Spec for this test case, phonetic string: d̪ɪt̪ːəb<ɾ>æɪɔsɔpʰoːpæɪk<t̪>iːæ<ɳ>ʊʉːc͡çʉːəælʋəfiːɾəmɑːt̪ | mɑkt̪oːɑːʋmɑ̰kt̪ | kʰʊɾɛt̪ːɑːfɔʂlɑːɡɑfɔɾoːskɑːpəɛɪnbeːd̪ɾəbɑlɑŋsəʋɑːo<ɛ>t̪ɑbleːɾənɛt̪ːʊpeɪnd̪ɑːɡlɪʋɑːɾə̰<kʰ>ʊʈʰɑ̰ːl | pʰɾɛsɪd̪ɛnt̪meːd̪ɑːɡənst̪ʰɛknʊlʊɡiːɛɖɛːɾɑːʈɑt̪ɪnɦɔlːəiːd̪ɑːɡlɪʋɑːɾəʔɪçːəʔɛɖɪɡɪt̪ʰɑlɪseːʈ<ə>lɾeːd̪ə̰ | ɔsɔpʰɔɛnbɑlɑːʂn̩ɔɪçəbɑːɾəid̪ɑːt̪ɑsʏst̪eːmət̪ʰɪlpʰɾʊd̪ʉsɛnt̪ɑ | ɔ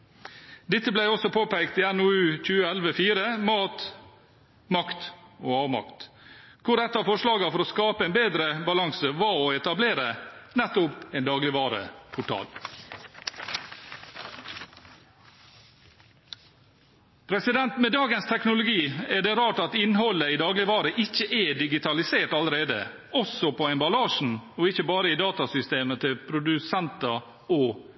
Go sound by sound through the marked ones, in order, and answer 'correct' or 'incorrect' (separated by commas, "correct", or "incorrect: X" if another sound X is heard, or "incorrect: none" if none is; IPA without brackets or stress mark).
incorrect: l, correct, incorrect: n, correct, incorrect: pʰ, incorrect: ɑ